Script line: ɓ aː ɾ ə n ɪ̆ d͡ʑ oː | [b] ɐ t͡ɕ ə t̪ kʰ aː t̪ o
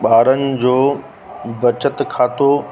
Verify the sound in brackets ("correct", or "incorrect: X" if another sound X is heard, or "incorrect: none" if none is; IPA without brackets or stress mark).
correct